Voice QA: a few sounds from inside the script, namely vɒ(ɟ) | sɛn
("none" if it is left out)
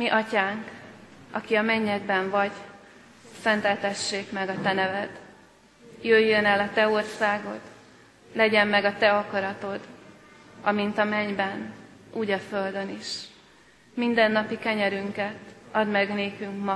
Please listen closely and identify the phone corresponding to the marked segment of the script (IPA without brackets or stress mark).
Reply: ɟ